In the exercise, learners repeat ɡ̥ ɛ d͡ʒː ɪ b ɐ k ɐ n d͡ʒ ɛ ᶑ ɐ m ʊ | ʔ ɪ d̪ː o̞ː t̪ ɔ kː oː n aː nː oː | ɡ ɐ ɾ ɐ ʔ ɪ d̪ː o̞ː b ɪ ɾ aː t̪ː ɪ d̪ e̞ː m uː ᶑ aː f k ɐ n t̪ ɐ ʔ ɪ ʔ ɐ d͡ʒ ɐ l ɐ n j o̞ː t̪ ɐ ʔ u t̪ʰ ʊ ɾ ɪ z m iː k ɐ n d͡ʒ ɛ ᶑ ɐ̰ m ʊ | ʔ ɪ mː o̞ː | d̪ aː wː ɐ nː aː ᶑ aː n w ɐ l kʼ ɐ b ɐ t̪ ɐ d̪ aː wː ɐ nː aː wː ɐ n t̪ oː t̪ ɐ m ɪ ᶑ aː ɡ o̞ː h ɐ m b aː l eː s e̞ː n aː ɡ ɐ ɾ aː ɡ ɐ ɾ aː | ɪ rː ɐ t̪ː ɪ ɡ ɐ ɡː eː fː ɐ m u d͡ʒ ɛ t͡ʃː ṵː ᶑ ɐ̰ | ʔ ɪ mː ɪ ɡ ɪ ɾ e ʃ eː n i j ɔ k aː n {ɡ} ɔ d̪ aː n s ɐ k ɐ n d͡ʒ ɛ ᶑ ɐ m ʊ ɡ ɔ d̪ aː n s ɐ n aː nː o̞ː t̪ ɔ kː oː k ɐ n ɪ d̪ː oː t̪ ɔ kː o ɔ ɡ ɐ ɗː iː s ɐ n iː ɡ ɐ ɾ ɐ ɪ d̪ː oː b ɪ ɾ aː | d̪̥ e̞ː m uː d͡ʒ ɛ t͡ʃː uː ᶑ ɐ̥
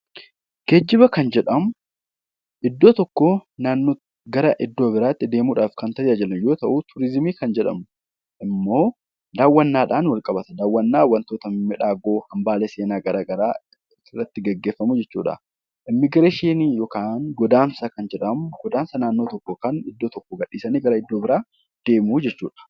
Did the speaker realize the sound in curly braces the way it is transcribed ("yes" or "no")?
yes